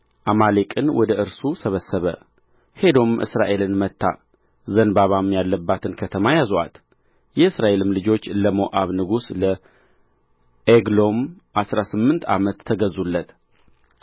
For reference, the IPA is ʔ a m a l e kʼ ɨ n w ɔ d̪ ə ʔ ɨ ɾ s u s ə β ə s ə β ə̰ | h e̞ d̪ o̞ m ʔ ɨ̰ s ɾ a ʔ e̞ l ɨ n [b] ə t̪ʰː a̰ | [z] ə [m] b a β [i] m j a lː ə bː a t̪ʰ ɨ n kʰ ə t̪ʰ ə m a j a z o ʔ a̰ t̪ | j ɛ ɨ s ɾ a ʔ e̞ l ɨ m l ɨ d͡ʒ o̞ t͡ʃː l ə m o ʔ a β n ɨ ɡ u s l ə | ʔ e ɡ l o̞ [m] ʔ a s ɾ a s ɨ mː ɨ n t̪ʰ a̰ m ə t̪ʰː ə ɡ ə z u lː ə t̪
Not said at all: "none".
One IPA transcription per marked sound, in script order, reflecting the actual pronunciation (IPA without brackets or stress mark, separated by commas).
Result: m, z, n, a, m